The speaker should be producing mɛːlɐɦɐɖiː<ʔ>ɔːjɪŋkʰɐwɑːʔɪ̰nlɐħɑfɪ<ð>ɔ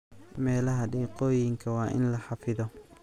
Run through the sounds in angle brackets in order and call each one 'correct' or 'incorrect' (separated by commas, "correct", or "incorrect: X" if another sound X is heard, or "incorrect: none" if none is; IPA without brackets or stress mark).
incorrect: q, correct